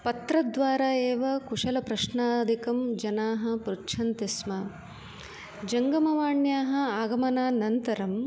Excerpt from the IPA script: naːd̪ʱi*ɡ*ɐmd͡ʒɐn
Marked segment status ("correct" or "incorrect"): incorrect